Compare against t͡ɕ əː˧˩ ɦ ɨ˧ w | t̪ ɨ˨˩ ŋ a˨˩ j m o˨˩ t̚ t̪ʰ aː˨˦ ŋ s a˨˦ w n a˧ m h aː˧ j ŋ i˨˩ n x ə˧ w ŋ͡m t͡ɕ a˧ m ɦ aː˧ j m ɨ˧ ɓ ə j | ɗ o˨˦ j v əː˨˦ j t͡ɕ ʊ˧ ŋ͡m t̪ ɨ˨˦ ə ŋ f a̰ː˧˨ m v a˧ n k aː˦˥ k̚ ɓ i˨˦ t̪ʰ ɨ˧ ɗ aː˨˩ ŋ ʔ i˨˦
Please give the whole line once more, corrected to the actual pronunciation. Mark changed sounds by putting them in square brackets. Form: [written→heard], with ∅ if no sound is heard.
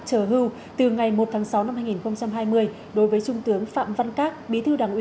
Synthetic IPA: t͡ɕ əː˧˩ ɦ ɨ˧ w | t̪ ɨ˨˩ ŋ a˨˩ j m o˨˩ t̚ t̪ʰ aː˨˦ ŋ s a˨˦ w n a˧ m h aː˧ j ŋ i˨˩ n x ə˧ w ŋ͡m t͡ɕ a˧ m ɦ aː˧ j m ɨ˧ [ɓ→∅] ə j | ɗ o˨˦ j v əː˨˦ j t͡ɕ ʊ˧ ŋ͡m t̪ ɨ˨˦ ə ŋ f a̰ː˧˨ m v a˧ n k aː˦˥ k̚ ɓ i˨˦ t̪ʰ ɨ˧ ɗ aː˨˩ ŋ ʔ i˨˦